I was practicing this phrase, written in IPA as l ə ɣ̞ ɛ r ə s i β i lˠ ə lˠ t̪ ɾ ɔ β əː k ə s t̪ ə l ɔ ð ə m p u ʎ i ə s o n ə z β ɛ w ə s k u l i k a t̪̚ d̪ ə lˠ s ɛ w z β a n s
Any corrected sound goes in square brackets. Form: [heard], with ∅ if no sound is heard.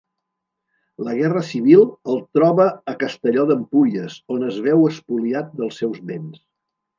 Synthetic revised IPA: l ə ɣ̞ ɛ r ə s i β i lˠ ə lˠ t̪ ɾ ɔ β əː k ə s t̪ ə [ʎ] ɔ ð ə m p u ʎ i ə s o n ə z β ɛ w ə s [p] u l i [∅] a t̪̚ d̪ ə lˠ s ɛ w z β [e] n s